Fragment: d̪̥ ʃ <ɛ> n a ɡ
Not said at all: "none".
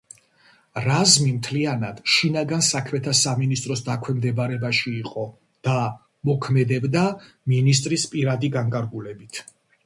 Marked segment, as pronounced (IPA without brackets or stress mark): i